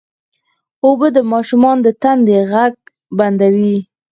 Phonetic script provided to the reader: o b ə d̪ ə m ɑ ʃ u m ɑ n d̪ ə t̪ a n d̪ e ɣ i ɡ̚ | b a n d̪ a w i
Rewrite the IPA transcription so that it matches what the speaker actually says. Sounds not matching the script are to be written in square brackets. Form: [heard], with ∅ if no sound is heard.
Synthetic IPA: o b ə d̪ ə m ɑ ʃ u m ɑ n d̪ ə t̪ a n d̪ e ɣ [a] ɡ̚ | b a n d̪ a w i